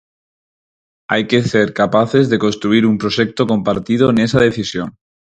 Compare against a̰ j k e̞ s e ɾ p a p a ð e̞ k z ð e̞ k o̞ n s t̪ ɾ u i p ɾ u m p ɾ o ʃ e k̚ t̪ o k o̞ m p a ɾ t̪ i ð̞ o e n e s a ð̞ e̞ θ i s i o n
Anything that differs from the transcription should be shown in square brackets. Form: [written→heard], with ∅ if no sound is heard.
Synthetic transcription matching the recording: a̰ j k e̞ s e ɾ [p→k] a p a [ð→θ] e̞ [k→∅] z ð e̞ k o̞ n s t̪ ɾ u i [p→∅] ɾ u m p ɾ o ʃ e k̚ t̪ o k o̞ m p a ɾ t̪ i ð̞ o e n e s a ð̞ e̞ θ i s [i→j] o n